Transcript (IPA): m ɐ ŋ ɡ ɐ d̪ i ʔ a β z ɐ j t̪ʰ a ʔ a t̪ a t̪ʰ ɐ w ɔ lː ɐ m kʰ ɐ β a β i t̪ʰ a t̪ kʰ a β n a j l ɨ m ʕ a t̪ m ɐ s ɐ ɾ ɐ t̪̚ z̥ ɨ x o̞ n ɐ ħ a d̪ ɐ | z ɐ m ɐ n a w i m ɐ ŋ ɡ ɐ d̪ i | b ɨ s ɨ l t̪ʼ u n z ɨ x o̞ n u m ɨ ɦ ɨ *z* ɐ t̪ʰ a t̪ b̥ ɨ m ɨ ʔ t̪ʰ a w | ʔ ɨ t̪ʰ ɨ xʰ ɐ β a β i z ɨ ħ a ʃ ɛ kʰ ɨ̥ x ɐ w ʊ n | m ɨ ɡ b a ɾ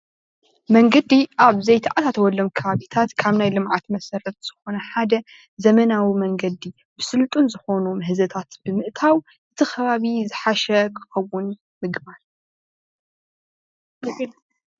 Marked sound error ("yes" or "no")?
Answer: no